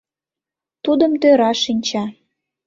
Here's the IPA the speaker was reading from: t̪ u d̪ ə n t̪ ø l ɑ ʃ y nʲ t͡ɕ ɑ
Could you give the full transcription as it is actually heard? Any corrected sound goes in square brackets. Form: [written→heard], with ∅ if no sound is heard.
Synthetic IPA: t̪ u d̪ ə [n→m] t̪ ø [l→ɾ] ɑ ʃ [y→i] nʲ t͡ɕ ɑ